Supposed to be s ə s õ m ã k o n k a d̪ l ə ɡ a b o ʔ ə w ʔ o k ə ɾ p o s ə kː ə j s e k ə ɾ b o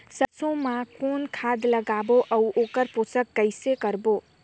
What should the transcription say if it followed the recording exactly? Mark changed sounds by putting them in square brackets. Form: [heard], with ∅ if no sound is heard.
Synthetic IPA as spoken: s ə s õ m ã k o n [kʰ] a d̪ l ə ɡ a b o ʔ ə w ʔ o k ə ɾ p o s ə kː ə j s e k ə ɾ b o